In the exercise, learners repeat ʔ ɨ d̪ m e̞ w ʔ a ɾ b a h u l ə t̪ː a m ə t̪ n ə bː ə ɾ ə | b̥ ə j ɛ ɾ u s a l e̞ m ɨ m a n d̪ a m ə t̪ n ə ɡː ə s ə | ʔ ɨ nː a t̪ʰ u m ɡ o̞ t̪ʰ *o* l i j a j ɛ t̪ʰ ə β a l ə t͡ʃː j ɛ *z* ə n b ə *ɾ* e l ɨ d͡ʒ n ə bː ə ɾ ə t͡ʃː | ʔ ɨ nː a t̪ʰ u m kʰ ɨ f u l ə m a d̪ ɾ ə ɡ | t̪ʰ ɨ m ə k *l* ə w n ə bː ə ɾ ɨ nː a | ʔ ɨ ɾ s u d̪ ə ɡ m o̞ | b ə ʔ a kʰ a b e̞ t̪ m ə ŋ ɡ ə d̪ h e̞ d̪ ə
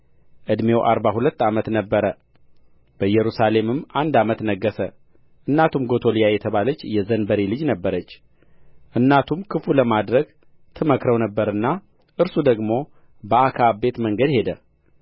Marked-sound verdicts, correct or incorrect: correct, correct, correct, incorrect: ɾ

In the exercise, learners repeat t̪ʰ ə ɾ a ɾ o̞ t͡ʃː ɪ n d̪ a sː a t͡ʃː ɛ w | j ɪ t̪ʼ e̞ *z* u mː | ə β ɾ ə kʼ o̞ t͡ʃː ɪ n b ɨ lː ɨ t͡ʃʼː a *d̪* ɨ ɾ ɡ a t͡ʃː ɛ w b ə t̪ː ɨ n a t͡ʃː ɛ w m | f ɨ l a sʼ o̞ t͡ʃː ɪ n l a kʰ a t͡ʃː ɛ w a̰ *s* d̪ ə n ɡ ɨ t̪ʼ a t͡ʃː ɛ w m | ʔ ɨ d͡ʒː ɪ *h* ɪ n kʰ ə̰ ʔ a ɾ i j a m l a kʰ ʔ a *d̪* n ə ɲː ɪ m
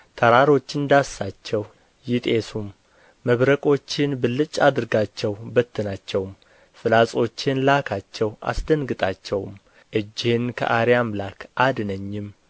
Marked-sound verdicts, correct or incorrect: incorrect: s, correct, correct, correct, correct

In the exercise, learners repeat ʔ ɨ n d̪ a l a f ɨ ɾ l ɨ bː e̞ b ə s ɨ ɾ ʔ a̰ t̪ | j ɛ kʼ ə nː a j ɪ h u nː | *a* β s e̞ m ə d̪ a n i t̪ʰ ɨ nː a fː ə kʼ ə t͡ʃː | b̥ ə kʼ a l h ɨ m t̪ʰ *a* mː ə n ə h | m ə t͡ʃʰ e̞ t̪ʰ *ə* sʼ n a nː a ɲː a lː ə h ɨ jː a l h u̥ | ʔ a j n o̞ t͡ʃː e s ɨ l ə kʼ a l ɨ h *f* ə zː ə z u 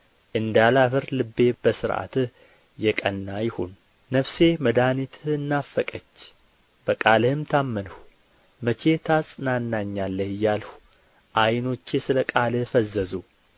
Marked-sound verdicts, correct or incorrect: incorrect: ə, correct, incorrect: a, correct

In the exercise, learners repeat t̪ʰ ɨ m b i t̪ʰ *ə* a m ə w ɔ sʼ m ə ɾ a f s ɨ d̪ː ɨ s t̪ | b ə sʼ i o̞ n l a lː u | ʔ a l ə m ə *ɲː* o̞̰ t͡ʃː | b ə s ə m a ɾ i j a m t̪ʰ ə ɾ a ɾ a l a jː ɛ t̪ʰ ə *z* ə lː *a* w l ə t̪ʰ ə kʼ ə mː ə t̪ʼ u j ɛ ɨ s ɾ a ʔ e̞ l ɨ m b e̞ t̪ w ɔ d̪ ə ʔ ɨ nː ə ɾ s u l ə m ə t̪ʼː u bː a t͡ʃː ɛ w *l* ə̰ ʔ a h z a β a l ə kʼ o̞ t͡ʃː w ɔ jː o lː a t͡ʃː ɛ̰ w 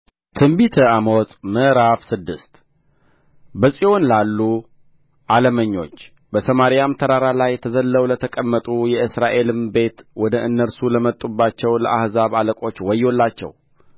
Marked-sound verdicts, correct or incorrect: correct, correct, correct, incorrect: ə, correct

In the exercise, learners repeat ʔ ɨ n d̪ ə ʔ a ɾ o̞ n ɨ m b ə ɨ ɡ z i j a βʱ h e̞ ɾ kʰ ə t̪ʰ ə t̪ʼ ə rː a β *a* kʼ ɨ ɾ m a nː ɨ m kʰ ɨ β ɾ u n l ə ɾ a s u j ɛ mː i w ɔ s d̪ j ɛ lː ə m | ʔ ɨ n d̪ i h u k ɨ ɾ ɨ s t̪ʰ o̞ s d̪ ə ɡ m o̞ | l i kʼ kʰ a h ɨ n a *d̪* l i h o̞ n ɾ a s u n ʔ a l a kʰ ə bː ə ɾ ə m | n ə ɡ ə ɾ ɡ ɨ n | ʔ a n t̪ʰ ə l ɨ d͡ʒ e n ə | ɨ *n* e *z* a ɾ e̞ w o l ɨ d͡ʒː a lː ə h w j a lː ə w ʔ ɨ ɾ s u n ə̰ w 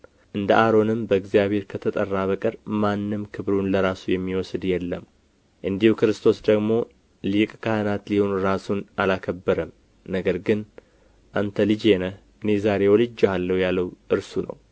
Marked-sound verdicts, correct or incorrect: incorrect: ə, incorrect: t̪, correct, correct

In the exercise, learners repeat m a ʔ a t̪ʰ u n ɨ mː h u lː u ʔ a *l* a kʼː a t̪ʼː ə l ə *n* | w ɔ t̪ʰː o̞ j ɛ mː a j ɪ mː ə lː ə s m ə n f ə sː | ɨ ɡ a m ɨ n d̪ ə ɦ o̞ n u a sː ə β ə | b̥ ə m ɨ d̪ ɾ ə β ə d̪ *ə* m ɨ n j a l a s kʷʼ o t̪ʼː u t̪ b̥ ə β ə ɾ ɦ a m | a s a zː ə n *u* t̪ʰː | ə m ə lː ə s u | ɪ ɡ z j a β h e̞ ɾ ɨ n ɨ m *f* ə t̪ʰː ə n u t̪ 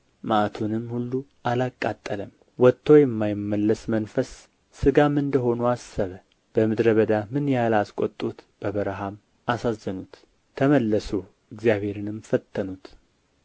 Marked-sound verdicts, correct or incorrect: correct, incorrect: m, incorrect: a, correct, correct

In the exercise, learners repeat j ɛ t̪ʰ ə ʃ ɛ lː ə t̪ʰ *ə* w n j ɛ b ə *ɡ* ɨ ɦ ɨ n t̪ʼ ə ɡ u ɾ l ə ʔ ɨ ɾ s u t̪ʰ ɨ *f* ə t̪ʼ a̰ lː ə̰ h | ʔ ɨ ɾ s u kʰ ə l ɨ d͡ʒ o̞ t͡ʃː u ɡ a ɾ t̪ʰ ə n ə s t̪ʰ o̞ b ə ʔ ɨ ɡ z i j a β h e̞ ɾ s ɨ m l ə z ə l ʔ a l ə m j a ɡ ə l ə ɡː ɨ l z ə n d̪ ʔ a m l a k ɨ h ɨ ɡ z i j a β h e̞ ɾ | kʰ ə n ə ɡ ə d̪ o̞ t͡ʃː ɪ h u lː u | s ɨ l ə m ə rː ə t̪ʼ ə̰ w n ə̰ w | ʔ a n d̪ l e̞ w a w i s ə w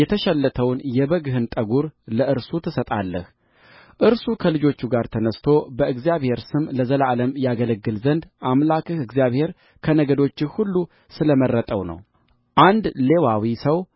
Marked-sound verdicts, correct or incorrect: correct, correct, incorrect: s

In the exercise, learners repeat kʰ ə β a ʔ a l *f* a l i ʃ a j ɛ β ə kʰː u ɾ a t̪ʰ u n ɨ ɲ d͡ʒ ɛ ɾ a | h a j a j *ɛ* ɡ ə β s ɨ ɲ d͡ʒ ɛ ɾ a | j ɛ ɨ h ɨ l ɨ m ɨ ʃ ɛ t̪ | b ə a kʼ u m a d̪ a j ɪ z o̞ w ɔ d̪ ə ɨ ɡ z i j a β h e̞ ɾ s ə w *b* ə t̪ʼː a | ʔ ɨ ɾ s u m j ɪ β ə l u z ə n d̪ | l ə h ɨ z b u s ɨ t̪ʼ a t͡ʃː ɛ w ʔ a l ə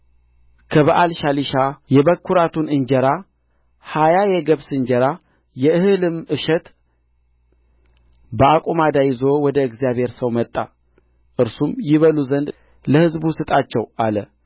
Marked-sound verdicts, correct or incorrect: incorrect: ʃ, correct, incorrect: m

